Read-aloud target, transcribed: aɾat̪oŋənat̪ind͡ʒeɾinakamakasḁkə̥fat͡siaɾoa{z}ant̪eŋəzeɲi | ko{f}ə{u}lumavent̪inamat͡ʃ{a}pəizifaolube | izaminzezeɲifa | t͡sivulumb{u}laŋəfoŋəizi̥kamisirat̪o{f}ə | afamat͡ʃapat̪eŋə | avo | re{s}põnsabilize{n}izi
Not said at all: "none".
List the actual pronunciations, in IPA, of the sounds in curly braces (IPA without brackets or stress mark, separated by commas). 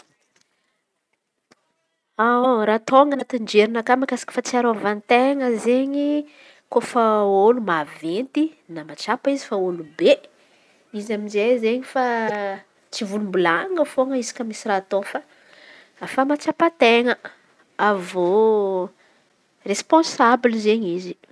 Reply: v, f, o, a, u, f, s, ɲ